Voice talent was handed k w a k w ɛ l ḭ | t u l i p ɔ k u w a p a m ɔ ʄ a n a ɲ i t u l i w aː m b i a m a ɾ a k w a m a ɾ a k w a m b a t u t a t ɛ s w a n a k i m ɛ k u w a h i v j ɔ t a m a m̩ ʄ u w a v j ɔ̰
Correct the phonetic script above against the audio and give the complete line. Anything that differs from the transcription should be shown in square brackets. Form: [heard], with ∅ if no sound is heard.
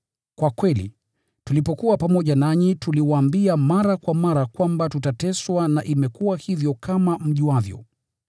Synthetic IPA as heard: k w a k w ɛ l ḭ | t u l i p ɔ k u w a p a m ɔ ʄ a n a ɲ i t u l i w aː m b i a m a ɾ a k w a m a ɾ a k w a m b a t u t a t ɛ s w a n a [ʔ] i m ɛ k u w a h i v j ɔ [k] a m a m̩ ʄ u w a v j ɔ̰